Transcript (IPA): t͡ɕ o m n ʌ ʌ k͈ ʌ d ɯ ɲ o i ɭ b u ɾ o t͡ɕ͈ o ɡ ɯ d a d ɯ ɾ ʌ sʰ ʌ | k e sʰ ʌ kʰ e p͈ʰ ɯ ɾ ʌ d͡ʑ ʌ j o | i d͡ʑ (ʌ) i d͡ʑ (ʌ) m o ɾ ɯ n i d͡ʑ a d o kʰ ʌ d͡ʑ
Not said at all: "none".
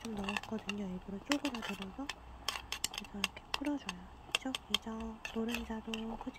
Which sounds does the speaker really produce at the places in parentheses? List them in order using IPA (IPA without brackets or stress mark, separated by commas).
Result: ʌ, ʌ